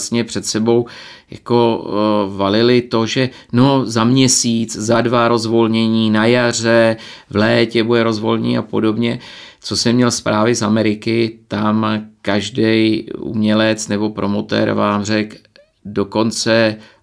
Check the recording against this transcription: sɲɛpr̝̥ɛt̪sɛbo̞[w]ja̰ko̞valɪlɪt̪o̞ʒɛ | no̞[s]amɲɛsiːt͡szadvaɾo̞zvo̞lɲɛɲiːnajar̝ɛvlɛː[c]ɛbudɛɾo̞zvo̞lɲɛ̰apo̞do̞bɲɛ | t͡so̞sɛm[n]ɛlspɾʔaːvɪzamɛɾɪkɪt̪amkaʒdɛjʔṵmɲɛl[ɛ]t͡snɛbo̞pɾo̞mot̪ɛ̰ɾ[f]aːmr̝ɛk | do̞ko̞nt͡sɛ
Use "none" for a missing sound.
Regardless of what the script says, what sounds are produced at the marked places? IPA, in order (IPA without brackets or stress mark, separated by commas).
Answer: w, z, c, ɲ, ɛ, v